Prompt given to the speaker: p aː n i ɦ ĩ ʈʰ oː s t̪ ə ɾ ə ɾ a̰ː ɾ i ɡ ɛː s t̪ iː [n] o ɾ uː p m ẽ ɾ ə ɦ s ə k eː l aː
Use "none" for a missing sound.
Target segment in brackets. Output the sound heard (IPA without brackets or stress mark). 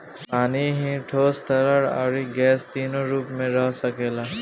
n